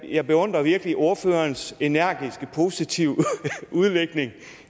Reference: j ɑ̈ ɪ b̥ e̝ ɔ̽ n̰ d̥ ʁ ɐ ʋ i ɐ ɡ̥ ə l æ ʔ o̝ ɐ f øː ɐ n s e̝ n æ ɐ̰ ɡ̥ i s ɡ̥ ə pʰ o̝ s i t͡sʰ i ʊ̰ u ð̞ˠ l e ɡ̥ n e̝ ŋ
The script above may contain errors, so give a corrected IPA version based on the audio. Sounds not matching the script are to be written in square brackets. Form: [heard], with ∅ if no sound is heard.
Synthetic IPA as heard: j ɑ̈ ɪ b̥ e̝ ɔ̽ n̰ d̥ ʁ ɐ ʋ i ɐ ɡ̥ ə l [i] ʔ o̝ ɐ f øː ɐ n s e̝ n æ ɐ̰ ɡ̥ i s ɡ̥ ə pʰ o̝ s i t͡sʰ i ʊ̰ u ð̞ˠ l e ɡ̥ n e̝ ŋ